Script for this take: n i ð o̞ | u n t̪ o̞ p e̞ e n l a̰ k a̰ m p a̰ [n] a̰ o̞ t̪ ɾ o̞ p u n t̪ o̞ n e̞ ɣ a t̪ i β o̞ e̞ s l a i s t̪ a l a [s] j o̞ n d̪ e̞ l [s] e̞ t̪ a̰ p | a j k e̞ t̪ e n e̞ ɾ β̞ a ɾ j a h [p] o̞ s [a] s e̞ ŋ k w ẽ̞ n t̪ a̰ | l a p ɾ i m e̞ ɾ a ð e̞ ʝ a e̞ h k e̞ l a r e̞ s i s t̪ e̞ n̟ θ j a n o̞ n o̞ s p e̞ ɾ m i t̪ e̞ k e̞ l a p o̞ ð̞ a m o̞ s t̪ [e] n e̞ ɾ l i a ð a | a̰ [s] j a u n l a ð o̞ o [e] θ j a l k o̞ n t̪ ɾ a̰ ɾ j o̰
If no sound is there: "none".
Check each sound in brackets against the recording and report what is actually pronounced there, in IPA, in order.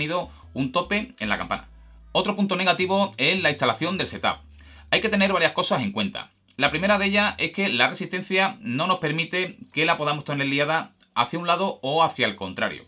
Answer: n, θ, s, k, a, e, θ, a

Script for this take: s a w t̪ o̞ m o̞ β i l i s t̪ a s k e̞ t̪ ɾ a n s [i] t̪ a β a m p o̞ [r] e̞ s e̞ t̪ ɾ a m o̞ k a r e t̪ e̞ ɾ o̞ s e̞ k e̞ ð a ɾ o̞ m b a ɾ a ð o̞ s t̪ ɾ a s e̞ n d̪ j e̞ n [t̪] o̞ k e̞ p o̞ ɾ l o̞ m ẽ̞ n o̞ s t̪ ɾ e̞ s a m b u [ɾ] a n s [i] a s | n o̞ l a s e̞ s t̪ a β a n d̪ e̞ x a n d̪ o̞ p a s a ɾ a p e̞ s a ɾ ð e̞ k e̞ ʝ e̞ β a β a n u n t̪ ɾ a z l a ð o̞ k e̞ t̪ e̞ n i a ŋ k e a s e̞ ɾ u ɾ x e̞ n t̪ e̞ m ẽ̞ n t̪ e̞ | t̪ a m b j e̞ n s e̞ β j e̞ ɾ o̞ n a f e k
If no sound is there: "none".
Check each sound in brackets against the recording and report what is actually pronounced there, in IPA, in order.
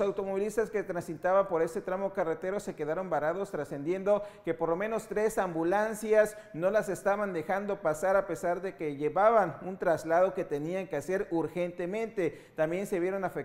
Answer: i, ɾ, d̪, l, j

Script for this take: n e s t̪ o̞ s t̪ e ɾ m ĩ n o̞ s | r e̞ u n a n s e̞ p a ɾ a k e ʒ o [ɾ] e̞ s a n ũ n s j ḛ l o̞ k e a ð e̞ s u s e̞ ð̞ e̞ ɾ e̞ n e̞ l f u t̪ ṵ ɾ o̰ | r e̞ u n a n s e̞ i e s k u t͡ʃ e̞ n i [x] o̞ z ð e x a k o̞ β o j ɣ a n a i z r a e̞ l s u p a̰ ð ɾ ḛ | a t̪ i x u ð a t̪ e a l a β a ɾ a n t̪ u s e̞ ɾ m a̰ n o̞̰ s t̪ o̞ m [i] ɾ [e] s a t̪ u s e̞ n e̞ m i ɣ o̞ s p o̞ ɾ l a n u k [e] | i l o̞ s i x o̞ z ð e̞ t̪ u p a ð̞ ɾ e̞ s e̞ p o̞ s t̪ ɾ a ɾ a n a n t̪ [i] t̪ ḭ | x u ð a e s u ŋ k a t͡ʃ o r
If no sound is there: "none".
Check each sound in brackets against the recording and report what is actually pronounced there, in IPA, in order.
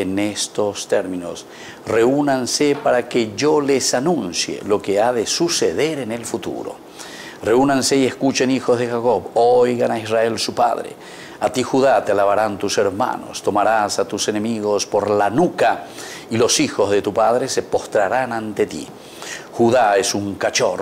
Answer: l, x, a, a, a, e

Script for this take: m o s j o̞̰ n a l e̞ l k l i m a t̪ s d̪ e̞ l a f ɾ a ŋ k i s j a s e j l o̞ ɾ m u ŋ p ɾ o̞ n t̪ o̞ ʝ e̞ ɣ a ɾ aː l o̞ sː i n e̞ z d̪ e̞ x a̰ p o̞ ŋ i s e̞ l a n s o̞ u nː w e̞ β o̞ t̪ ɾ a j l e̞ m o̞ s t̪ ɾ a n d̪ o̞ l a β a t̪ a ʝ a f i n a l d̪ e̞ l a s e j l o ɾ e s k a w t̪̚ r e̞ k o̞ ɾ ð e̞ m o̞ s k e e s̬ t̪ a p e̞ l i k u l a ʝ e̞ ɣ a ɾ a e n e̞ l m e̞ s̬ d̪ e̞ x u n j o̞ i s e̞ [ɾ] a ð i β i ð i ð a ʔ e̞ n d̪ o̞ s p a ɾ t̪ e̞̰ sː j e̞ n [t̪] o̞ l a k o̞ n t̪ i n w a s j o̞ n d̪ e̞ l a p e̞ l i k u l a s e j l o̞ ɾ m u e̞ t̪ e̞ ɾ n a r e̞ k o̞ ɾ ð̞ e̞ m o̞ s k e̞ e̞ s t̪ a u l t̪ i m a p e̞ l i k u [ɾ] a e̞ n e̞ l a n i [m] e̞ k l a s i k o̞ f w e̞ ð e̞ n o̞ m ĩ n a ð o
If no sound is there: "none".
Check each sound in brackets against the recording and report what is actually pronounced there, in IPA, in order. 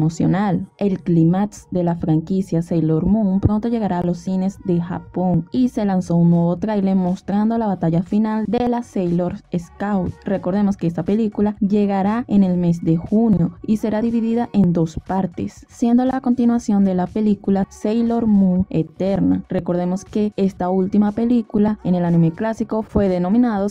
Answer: ɾ, d̪, l, m

